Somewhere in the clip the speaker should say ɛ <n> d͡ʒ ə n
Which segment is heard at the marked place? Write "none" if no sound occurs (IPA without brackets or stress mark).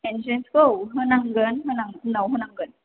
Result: n